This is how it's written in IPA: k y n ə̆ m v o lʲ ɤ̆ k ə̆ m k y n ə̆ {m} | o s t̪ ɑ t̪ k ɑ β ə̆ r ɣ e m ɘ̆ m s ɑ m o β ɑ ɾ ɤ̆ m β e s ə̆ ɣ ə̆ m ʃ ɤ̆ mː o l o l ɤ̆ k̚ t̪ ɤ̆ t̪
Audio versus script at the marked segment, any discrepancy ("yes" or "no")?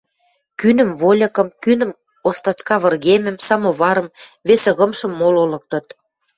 no